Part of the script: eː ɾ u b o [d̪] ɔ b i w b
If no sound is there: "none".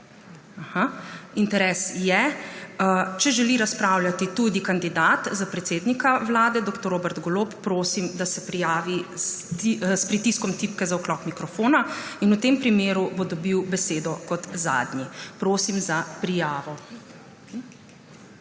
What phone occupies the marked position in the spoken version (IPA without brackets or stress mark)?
d̪